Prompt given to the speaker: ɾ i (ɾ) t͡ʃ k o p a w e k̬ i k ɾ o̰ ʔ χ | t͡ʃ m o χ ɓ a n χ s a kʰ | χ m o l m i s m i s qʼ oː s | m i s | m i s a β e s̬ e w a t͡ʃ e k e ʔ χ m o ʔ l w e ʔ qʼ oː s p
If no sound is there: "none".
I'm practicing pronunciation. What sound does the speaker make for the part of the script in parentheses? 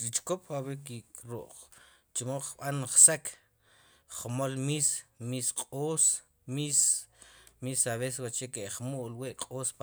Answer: none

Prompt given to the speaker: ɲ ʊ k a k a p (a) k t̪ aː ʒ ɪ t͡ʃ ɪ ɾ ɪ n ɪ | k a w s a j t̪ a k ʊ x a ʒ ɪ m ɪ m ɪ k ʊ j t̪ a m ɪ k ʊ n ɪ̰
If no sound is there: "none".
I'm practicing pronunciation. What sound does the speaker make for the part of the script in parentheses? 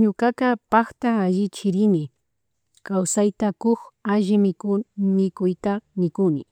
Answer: a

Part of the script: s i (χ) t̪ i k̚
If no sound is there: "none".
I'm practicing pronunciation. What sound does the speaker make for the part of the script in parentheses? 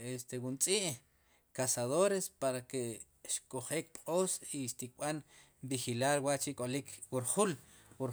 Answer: ʃ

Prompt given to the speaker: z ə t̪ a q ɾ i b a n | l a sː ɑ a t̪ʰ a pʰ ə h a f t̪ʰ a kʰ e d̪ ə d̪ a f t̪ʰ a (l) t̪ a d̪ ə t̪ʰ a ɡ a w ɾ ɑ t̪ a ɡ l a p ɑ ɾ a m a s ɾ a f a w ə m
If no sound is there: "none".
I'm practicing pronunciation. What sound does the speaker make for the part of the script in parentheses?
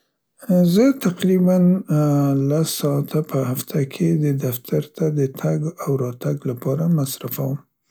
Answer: ɾ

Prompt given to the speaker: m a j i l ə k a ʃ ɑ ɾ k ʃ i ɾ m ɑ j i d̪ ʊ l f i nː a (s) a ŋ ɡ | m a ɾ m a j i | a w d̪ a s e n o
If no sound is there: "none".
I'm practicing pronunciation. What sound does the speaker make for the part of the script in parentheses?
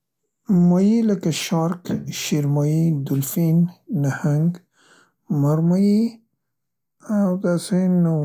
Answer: h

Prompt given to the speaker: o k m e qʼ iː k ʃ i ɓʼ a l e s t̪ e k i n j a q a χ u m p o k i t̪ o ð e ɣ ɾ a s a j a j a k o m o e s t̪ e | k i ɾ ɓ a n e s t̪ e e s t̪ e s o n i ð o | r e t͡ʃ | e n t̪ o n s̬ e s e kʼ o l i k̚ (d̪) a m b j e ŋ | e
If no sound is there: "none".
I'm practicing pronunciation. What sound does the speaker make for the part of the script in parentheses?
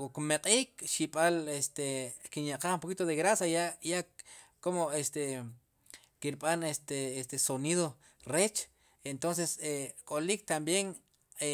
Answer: t̪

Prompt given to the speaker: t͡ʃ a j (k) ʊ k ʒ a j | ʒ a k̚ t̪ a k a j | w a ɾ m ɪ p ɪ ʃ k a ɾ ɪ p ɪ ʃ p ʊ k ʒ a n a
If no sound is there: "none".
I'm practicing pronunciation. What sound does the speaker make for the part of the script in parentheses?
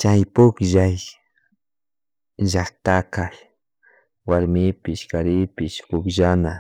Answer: p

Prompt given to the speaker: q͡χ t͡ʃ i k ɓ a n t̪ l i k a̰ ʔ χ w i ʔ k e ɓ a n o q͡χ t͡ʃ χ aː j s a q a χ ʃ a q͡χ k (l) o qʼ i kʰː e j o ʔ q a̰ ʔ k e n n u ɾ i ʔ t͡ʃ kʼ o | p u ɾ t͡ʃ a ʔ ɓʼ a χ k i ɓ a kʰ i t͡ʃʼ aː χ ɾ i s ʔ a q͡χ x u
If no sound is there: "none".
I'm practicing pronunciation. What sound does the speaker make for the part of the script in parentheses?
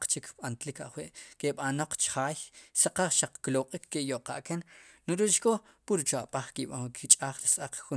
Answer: l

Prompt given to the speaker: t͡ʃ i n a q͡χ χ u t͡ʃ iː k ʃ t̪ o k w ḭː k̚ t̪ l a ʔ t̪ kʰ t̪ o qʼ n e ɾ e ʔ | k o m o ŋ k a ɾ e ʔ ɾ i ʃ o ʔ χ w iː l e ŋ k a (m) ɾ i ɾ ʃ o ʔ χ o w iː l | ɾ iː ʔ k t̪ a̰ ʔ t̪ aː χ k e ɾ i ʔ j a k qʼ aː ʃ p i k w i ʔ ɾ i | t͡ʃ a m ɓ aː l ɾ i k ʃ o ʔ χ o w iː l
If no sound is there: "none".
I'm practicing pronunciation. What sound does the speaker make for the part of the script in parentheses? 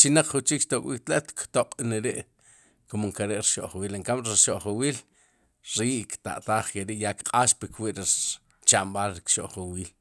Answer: m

